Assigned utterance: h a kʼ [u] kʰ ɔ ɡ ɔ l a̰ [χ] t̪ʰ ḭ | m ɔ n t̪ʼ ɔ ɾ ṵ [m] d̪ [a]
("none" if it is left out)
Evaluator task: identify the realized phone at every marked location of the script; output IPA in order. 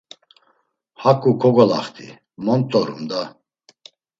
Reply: u, χ, m, a

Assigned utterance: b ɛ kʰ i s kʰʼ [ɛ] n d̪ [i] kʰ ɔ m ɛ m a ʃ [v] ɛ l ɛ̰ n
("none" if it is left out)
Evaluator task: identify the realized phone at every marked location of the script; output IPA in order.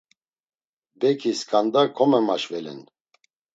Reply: a, a, v

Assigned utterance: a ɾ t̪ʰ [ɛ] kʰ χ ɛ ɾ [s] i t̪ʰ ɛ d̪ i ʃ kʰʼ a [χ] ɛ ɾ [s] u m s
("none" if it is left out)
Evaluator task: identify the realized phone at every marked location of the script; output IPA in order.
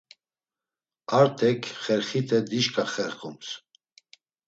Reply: ɛ, χ, χ, χ

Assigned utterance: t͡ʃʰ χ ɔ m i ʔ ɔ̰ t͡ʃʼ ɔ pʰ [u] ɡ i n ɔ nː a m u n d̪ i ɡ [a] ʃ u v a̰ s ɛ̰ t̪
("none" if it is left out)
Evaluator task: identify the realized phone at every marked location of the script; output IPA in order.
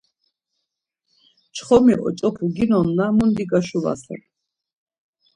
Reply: u, a

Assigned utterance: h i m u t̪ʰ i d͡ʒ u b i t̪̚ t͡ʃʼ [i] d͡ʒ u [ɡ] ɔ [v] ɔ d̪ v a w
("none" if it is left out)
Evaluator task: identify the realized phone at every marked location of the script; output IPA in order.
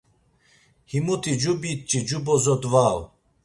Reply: i, b, z

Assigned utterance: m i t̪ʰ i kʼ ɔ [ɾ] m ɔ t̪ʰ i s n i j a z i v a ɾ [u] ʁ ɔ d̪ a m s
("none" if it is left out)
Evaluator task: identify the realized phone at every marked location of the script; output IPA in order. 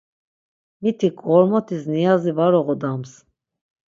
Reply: ɾ, ɔ

